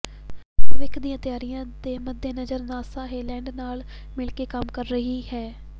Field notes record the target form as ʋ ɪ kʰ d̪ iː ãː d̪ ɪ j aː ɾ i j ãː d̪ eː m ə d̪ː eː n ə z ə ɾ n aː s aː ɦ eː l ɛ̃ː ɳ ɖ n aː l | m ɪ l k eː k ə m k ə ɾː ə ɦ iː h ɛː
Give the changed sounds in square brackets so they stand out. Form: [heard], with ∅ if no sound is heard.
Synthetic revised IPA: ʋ ɪ kʰ d̪ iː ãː [t̪] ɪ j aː ɾ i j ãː d̪ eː m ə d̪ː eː n ə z ə ɾ n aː s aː ɦ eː l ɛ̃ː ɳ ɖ n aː l | m ɪ l k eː k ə m k ə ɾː ə ɦ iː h ɛː